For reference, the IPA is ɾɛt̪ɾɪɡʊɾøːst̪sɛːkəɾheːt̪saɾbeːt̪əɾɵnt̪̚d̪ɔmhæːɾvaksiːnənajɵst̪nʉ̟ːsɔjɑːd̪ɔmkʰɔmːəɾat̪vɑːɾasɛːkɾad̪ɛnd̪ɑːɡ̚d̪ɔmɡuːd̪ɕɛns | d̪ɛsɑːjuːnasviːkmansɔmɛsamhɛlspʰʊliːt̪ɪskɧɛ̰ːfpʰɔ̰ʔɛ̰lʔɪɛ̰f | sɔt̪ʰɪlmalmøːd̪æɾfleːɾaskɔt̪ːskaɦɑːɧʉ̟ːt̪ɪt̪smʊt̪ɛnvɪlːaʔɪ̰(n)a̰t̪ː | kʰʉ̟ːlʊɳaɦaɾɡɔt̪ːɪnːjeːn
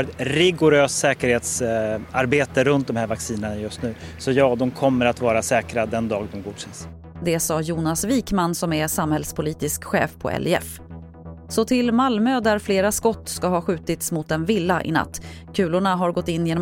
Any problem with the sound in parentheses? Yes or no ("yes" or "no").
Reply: no